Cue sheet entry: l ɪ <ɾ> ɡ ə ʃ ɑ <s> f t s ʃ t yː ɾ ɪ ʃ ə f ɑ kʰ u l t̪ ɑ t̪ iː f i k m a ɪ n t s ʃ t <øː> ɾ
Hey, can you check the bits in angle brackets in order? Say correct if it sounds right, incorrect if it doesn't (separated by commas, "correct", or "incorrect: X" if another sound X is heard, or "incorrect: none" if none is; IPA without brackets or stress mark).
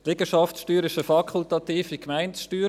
incorrect: none, incorrect: none, incorrect: yː